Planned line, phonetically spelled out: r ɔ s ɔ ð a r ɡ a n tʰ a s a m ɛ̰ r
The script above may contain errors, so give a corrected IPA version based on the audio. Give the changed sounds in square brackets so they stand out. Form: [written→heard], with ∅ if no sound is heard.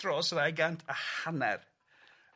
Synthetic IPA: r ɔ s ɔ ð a [r→∅] ɡ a n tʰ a [s→h] a [m→n] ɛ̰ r